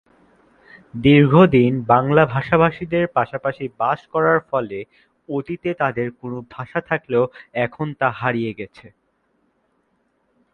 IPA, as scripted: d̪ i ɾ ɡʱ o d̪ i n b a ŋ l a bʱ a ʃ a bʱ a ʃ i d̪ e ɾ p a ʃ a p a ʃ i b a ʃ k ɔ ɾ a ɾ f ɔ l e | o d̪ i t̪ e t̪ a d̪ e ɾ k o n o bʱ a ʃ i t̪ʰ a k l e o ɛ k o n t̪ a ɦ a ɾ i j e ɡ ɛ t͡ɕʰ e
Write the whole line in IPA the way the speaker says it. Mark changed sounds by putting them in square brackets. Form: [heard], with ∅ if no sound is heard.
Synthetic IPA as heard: d̪ i ɾ ɡʱ o d̪ i n b a ŋ l a bʱ a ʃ a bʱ a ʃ i d̪ e ɾ p a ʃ a p a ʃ i b a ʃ k ɔ ɾ a ɾ f ɔ l e | o [t̪] i t̪ e t̪ a d̪ e ɾ k o n o bʱ a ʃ [a] t̪ʰ a k l e o ɛ [kʰ] o n t̪ a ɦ a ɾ i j e ɡ ɛ t͡ɕʰ e